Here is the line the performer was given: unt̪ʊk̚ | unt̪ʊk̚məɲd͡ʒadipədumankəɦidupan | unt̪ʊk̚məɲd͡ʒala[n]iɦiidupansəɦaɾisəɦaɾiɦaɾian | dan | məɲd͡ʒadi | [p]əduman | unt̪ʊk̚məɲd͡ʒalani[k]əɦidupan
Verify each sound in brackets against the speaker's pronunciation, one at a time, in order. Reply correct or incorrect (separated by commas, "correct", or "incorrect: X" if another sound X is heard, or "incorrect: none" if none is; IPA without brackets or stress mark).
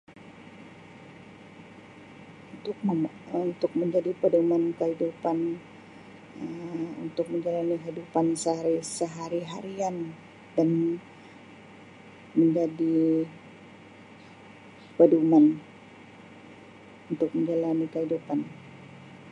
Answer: correct, correct, correct